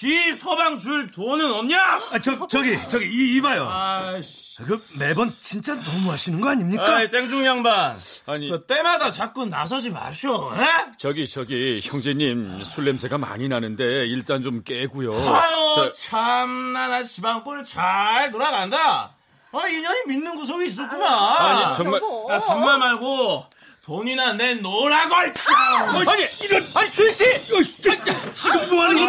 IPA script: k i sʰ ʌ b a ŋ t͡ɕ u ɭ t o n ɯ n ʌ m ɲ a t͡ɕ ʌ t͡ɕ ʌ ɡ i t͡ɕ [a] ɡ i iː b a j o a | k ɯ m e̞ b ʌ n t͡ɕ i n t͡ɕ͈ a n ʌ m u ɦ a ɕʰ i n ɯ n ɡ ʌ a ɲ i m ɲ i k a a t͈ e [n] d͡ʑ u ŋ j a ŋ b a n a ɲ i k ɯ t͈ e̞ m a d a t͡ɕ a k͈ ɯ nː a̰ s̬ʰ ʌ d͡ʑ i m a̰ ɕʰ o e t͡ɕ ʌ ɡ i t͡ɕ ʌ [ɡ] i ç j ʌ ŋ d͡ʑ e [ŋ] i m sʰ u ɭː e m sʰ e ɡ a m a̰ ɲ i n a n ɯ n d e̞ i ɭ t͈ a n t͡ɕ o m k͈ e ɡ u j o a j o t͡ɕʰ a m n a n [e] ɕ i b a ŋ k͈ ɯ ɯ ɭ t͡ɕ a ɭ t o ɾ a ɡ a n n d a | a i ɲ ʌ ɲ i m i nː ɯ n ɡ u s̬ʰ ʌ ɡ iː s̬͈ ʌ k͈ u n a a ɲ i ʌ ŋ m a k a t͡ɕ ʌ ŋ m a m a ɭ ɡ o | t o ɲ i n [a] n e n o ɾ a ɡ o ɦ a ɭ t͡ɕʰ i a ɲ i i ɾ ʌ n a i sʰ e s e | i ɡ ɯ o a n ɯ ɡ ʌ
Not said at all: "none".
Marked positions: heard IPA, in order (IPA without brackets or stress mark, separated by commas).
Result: ʌ, ŋ, ɡ, ɲ, a, a